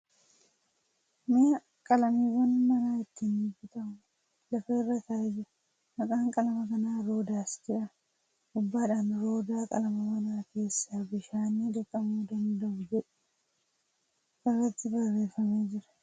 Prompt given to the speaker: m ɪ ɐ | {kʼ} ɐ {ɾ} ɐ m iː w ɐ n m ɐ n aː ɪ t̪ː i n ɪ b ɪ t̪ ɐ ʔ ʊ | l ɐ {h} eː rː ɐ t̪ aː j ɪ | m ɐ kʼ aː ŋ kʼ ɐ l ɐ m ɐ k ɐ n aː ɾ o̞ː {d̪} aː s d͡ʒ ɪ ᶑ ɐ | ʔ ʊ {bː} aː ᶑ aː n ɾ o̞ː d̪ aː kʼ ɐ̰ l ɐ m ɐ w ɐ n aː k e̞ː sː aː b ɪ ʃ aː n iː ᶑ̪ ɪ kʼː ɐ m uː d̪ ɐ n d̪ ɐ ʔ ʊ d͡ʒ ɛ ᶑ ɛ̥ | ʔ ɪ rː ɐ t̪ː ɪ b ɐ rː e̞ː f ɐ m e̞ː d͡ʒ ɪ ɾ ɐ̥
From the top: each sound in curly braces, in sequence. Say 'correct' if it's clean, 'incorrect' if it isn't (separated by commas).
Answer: correct, incorrect, incorrect, correct, correct